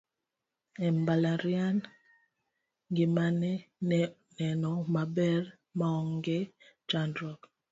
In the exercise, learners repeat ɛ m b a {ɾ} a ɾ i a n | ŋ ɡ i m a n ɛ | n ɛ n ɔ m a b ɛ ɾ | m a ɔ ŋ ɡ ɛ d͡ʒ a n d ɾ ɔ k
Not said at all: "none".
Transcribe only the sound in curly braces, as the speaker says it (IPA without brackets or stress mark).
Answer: l